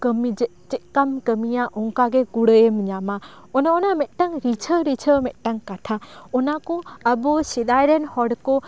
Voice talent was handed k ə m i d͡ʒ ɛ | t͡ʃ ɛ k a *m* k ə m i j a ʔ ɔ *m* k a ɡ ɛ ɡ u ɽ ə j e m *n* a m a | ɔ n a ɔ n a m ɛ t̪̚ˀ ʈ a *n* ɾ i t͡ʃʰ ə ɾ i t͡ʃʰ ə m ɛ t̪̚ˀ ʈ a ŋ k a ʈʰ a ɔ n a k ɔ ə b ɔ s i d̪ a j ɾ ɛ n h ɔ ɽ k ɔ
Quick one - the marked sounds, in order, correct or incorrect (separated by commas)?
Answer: correct, incorrect, incorrect, incorrect